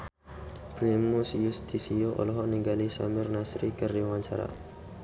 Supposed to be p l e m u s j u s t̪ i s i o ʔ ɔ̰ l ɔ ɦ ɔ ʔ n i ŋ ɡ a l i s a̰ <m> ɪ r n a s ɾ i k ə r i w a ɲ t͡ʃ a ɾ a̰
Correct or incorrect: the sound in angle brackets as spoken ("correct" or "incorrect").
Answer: correct